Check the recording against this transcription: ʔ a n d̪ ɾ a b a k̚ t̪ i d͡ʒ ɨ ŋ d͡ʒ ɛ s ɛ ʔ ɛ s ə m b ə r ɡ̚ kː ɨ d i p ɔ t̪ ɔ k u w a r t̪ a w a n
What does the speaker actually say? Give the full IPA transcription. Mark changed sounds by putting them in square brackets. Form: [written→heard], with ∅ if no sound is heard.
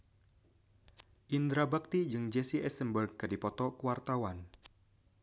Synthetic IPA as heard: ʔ [a→i] n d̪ ɾ a b a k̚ t̪ i d͡ʒ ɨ ŋ d͡ʒ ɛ s [ɛ→i] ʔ ɛ s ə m b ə r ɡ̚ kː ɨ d i p ɔ t̪ ɔ k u w a r t̪ a w a n